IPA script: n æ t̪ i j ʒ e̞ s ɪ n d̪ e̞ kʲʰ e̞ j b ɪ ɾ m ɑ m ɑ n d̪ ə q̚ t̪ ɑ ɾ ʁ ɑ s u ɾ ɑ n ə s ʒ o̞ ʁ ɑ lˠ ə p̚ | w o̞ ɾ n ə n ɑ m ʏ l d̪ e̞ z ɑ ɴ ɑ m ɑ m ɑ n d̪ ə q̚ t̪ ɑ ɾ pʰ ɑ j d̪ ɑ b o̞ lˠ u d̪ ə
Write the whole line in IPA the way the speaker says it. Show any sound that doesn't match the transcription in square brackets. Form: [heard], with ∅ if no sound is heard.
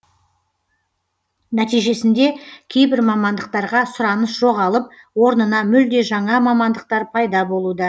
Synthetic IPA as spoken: n æ t̪ i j ʒ e̞ s ɪ n d̪ e̞ kʲʰ e̞ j b ɪ ɾ m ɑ m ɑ n d̪ ə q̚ t̪ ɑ ɾ ʁ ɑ s [ʊ] ɾ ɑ n ə s ʒ o̞ ʁ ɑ lˠ ə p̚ | w o̞ ɾ n ə n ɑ m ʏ l d̪ e̞ [ʒ] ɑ ɴ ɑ m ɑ m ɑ n d̪ ə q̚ t̪ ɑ ɾ pʰ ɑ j d̪ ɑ b o̞ lˠ u d̪ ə